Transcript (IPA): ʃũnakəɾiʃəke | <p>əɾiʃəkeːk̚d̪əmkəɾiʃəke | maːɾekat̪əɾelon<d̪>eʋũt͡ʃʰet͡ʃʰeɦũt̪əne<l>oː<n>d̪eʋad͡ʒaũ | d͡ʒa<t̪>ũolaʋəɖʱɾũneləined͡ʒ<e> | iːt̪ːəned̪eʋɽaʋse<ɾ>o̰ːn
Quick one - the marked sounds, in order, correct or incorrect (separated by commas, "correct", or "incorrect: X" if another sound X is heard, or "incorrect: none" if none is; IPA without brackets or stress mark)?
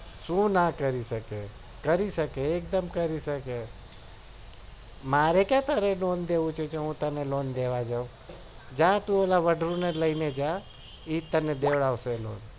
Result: incorrect: k, correct, correct, correct, correct, incorrect: a, incorrect: l